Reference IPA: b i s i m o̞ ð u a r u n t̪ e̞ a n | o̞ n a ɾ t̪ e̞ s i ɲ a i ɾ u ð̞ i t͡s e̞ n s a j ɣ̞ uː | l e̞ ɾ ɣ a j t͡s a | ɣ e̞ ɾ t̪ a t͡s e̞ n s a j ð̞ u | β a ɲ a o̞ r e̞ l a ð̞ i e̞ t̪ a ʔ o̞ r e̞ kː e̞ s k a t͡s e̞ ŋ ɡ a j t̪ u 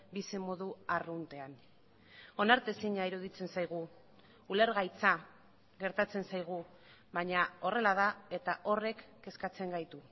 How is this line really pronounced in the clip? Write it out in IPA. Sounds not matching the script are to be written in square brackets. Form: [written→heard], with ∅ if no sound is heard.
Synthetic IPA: b i s i m o̞ ð u a r u n t̪ e̞ a n | o̞ n a ɾ t̪ e̞ s i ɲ a i ɾ u ð̞ i t͡s e̞ n s a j ɣ̞ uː | l e̞ ɾ ɣ a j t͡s a | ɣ e̞ ɾ t̪ a t͡s e̞ n s a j [ð̞→ɣ̞] u | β a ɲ a o̞ r e̞ l a ð̞ [i→a] e̞ t̪ a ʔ o̞ r e̞ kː e̞ s k a t͡s e̞ ŋ ɡ a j t̪ u